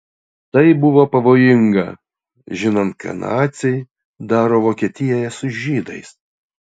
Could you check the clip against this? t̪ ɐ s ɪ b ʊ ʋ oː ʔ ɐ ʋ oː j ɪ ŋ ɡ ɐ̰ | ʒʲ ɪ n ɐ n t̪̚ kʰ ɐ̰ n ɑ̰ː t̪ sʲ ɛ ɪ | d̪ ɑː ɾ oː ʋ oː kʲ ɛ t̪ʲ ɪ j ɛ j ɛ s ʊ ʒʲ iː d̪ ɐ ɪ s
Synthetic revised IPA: t̪ ɐ ɪ b ʊ ʋ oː p ɐ ʋ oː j ɪ ŋ ɡ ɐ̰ | ʒʲ ɪ n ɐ n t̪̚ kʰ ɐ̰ n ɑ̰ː t̪ sʲ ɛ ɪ | d̪ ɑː ɾ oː ʋ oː kʲ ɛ t̪ʲ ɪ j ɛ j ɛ s ʊ ʒʲ iː d̪ ɐ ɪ s